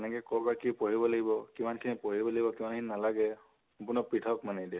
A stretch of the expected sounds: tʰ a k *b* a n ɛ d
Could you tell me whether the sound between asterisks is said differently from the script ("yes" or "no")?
yes